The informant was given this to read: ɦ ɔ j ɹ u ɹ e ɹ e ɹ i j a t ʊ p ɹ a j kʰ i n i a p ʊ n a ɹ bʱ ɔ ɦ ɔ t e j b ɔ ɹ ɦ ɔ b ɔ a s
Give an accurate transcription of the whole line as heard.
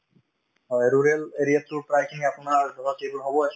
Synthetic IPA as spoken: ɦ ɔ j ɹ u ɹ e l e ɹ i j a t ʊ p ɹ a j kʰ i n i a p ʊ n a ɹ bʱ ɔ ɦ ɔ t e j b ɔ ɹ ɦ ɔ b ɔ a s